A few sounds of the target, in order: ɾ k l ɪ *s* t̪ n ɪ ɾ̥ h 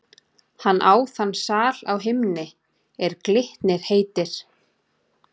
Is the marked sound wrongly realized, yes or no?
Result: yes